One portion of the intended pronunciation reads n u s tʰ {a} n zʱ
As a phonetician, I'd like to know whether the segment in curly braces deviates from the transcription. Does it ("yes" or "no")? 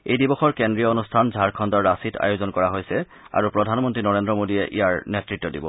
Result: no